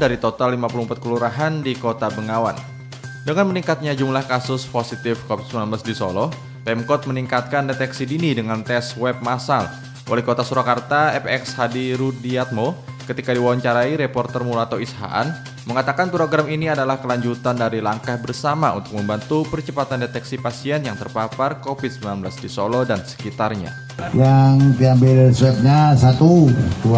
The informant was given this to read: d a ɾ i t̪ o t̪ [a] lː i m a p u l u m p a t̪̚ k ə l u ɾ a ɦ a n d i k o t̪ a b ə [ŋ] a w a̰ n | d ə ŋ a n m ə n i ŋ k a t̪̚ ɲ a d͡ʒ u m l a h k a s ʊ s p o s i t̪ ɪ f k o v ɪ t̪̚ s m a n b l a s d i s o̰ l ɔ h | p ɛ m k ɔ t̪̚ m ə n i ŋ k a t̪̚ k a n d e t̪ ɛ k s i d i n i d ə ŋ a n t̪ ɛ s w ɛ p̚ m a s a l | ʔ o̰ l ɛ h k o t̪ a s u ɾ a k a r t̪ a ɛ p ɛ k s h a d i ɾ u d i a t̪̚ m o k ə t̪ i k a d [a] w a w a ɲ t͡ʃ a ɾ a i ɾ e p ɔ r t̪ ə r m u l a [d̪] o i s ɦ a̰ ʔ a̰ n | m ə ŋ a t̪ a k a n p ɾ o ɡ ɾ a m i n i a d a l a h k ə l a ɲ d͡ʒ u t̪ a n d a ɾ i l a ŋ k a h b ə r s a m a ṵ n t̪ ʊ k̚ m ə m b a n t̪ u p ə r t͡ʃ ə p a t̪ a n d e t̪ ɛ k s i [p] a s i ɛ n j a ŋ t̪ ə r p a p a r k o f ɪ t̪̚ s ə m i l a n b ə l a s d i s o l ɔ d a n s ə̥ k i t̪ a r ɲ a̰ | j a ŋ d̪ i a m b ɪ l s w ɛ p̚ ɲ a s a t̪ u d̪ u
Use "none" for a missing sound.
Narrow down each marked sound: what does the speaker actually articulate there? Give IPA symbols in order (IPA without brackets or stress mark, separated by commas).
a, ŋ, i, t̪, p